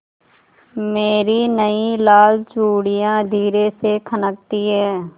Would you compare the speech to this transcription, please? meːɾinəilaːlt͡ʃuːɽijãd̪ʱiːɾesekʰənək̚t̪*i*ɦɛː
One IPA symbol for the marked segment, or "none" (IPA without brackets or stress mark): i